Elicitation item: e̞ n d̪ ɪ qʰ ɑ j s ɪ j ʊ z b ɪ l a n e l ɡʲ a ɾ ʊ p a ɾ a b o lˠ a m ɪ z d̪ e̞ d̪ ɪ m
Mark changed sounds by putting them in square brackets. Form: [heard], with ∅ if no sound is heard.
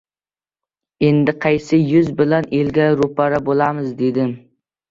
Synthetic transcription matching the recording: e̞ n d̪ ɪ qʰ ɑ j s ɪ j ʊ z b ɪ l a n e l ɡʲ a ɾ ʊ p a ɾ a b o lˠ a m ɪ z d̪ e̞ d̪ ɪ m